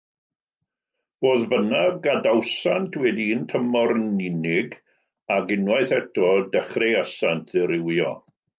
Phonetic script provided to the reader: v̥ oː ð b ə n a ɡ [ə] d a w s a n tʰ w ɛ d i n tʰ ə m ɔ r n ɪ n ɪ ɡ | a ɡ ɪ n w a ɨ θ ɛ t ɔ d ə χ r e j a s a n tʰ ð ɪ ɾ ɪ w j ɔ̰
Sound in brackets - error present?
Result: yes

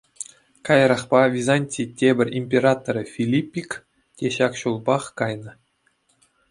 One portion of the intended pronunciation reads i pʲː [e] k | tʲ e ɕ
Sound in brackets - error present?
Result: yes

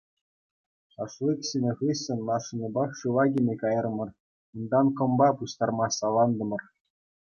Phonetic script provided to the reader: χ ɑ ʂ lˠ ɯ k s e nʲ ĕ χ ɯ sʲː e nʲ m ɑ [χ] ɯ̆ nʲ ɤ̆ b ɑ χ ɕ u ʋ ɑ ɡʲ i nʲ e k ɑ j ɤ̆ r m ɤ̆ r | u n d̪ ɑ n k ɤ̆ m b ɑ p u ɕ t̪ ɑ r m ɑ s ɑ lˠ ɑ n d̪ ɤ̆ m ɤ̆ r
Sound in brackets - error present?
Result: yes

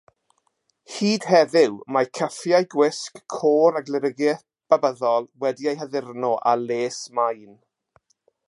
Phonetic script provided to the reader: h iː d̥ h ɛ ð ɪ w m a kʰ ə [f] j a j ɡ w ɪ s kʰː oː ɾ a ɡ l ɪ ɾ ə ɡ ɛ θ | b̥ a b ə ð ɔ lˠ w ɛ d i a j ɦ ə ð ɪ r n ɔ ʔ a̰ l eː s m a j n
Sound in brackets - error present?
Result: no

